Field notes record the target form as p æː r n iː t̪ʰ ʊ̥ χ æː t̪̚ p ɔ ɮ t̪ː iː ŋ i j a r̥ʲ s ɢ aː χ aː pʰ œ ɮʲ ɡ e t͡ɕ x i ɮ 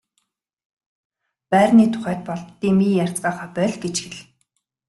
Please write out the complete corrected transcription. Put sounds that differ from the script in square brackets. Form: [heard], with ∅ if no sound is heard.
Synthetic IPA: p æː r n iː t̪ʰ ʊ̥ χ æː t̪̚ p ɔ ɮ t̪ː iː [m] i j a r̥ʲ [t͡s] ɢ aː χ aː [p] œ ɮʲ ɡ e t͡ɕ x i ɮ